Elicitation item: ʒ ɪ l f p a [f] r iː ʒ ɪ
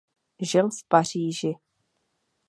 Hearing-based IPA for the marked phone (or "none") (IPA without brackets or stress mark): none